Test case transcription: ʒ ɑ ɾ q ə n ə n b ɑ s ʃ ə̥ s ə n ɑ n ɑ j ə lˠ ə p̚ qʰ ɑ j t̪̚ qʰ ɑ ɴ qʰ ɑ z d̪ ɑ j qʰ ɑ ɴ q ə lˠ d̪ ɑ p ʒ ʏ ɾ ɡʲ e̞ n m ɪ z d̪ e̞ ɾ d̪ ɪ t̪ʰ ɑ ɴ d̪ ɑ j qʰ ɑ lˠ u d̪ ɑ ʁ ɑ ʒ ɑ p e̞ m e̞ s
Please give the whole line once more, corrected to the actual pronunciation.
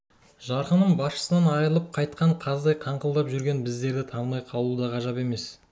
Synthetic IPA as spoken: ʒ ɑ ɾ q ə n ə ɴ b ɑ s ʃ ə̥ s ə n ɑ n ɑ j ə lˠ ə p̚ qʰ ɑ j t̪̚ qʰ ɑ ɴ qʰ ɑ z d̪ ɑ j qʰ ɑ ɴ q ə lˠ d̪ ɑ p ʒ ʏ ɾ ɡʲ e̞ n b ɪ z d̪ e̞ ɾ d̪ ɪ t̪ʰ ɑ ɴ d̪ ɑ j qʰ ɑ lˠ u d̪ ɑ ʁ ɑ ʒ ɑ p e̞ m e̞ s

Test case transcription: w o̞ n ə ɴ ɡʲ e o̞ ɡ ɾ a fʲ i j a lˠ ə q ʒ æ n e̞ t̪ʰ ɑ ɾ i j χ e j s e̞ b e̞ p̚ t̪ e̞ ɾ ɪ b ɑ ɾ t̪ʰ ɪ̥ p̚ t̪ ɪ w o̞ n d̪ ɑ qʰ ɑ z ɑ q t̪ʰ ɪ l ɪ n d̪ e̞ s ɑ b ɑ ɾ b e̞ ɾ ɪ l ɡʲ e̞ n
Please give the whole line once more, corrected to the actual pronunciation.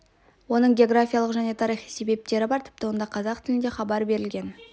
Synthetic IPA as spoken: w o̞ n ə ɴ ɡʲ e o̞ ɡ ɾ a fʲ i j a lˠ ə q ʒ æ n e̞ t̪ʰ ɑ ɾ i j χ i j s e̞ b e̞ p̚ t̪ e̞ ɾ ɪ b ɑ ɾ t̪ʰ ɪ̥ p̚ t̪ ɪ w o̞ n d̪ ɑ qʰ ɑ z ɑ q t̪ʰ ɪ l ɪ n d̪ e̞ χ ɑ b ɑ ɾ b e̞ ɾ ɪ l ɡʲ e̞ n

